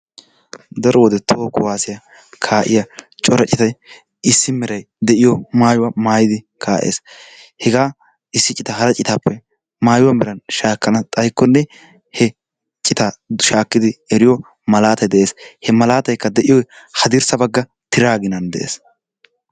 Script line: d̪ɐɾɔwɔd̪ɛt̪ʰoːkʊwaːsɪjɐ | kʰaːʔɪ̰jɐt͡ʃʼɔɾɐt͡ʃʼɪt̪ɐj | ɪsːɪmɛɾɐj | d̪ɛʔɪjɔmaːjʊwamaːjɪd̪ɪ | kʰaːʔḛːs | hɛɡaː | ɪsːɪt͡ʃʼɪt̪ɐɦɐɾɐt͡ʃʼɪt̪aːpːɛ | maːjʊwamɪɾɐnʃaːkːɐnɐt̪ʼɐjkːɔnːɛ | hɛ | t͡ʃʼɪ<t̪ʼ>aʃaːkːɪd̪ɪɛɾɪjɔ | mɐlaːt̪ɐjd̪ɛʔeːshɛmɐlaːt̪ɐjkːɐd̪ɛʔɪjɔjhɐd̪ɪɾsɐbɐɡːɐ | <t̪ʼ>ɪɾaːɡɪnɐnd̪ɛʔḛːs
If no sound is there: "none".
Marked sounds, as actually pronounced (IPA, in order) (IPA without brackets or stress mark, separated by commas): t̪, t̪